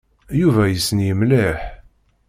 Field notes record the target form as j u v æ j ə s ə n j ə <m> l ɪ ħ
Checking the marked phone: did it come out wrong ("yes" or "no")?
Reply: no